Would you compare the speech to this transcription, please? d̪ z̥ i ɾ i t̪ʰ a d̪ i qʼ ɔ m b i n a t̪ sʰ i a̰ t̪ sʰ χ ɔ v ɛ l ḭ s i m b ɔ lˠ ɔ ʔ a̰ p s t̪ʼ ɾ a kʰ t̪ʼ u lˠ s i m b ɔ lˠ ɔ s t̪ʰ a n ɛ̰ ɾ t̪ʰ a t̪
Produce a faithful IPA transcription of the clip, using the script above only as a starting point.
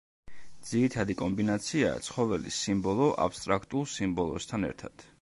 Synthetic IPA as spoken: d̪ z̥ i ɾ i t̪ʰ a d̪ i kʼ ɔ m b i n a t̪ sʰ i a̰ t̪ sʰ χ ɔ v ɛ l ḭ s i m b ɔ lˠ ɔ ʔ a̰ p s t̪ʼ ɾ a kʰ t̪ʼ u lˠ s i m b ɔ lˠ ɔ s t̪ʰ a n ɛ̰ ɾ t̪ʰ a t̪